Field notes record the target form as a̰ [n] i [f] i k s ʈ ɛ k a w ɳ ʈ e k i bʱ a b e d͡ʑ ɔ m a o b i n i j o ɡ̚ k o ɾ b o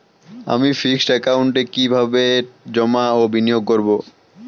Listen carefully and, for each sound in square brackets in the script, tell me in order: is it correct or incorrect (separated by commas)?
incorrect, correct